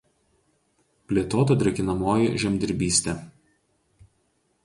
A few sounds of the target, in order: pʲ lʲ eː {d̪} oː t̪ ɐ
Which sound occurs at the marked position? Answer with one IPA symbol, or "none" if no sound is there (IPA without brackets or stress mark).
t̪